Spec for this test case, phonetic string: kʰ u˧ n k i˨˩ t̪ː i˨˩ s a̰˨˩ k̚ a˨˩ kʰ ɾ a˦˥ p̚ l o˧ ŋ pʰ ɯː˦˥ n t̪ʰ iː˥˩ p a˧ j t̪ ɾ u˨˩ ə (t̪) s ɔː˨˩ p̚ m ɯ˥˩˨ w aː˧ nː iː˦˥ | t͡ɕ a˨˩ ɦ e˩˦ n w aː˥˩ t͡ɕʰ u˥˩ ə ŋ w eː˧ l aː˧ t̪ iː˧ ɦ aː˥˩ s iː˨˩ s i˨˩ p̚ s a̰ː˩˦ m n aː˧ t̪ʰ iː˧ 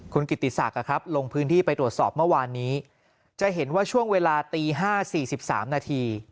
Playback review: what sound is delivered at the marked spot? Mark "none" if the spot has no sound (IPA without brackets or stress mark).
t̪